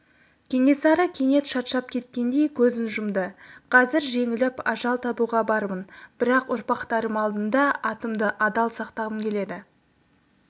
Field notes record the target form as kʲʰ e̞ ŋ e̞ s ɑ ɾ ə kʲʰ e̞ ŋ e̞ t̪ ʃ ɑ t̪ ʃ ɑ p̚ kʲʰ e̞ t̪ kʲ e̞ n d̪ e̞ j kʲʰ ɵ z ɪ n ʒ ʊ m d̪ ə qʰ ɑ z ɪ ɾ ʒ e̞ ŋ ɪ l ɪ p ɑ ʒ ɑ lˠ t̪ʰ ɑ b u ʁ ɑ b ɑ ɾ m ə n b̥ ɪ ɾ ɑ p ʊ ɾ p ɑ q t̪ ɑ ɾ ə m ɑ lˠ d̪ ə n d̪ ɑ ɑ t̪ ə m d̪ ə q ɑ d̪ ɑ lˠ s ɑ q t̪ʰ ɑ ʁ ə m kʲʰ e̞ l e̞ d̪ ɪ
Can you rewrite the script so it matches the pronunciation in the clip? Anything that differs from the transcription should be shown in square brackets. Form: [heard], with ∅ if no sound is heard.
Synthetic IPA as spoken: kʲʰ e̞ ŋ e̞ s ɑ ɾ ə kʲʰ e̞ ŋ e̞ t̪ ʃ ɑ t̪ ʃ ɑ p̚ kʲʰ e̞ t̪ kʲ e̞ n d̪ e̞ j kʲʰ ɵ z ɪ n ʒ ʊ m d̪ ə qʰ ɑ z ɪ ɾ ʒ e̞ ŋ ɪ l ɪ p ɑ ʒ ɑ lˠ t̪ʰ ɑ b u ʁ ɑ b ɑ ɾ m ə n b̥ ɪ ɾ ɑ [q] ʊ ɾ p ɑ q t̪ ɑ ɾ ə m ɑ lˠ d̪ ə n d̪ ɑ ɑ t̪ ə m d̪ ə [ʔ] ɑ d̪ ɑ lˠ s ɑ q [t̪] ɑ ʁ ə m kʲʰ e̞ l e̞ d̪ ɪ